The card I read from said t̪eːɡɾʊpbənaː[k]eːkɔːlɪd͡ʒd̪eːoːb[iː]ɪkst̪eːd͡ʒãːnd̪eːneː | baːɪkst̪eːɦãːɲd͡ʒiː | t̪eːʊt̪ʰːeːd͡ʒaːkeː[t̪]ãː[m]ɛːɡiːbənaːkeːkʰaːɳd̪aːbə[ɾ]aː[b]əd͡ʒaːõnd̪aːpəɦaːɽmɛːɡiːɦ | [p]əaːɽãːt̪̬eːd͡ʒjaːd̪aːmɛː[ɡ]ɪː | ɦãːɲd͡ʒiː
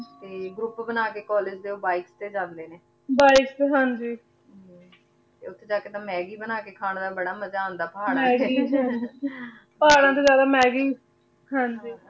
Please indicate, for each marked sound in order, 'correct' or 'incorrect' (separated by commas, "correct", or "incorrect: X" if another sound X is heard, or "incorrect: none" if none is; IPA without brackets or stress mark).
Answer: correct, incorrect: aː, correct, correct, incorrect: ɽ, incorrect: m, correct, correct